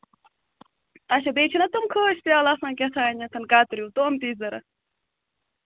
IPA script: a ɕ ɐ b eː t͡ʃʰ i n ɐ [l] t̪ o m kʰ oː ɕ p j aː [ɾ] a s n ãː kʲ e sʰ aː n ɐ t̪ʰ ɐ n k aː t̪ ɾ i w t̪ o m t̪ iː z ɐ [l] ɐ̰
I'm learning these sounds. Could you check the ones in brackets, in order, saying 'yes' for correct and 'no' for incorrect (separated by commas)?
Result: no, no, no